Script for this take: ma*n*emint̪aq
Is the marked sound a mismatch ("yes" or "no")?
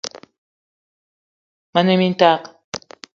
no